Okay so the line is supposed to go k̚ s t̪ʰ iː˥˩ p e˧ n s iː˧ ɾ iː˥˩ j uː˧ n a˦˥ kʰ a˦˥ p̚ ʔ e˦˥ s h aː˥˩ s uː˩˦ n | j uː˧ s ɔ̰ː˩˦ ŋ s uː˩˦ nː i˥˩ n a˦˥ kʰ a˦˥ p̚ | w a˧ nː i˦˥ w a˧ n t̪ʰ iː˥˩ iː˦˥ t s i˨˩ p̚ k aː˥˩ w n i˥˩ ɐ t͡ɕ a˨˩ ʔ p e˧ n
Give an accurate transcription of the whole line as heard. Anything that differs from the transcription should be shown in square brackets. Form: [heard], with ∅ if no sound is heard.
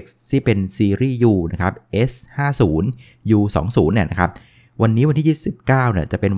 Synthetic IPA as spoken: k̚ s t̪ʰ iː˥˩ p e˧ n s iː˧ ɾ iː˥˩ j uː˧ n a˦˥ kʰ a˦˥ p̚ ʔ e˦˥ s h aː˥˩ s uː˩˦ n | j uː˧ s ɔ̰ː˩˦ ŋ s uː˩˦ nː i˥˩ n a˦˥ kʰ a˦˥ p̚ | w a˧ nː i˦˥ w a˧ n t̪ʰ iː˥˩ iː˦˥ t s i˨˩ p̚ k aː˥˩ w n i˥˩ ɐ t͡ɕ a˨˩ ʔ p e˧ n